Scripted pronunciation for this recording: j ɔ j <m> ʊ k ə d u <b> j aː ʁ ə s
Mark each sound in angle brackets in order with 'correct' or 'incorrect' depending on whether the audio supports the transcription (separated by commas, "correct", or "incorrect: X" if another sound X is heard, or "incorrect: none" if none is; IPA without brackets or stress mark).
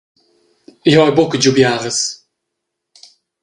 incorrect: b, correct